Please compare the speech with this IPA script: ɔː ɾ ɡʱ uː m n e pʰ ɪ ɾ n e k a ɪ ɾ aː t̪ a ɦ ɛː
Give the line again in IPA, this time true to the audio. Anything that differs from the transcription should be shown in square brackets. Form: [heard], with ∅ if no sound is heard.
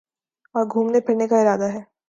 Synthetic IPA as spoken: ɔː ɾ ɡʱ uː m n e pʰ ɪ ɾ n e k a ɪ ɾ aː [d̪] a ɦ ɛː